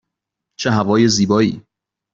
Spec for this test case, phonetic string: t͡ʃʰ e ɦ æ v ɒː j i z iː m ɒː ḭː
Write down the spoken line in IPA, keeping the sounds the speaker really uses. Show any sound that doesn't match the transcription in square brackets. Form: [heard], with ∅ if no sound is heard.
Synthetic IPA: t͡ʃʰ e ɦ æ v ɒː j [e] z iː [b] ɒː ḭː